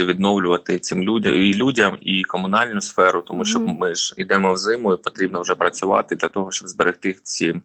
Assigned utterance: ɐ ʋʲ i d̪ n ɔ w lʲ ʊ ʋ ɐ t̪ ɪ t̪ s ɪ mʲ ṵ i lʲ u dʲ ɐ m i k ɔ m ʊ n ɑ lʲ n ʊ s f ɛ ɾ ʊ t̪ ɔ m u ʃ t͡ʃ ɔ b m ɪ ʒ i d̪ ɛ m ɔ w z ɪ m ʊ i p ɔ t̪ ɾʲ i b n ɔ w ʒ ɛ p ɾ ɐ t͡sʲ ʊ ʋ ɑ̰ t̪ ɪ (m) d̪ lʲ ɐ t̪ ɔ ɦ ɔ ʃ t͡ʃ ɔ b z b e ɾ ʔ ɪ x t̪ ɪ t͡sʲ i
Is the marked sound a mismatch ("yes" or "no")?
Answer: yes